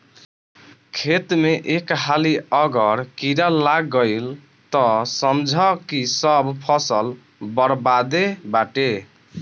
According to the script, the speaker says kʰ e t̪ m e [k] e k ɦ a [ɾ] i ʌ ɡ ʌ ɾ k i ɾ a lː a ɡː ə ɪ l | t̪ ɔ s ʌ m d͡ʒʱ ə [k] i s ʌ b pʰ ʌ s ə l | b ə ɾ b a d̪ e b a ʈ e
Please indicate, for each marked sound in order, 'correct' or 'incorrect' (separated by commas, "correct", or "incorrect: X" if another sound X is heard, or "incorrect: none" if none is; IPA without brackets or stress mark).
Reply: incorrect: ʔ, incorrect: l, correct